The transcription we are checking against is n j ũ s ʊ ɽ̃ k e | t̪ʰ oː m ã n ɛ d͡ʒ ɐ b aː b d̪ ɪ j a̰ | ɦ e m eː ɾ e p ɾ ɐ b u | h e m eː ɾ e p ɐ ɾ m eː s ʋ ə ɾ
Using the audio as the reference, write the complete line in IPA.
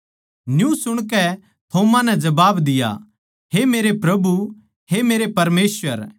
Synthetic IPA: n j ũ s ʊ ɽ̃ k ɛ | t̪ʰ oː m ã n ɛ d͡ʒ ɐ b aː b d̪ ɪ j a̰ | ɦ e m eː ɾ e p ɾ ɐ b u | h e m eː ɾ e p ɐ ɾ m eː s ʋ ə ɾ